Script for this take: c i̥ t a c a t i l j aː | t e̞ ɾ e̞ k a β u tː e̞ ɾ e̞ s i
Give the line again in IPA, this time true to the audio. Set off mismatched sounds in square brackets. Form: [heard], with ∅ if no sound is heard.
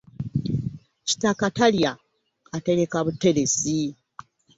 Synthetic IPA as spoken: c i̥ t a [k] a t [a] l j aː | t e̞ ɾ e̞ k a β u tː e̞ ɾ e̞ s i